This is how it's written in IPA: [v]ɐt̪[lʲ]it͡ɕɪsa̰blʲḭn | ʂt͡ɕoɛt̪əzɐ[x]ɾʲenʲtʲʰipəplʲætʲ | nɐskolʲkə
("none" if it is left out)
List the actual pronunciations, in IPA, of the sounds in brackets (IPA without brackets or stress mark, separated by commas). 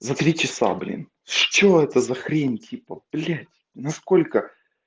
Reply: z, ɾʲ, x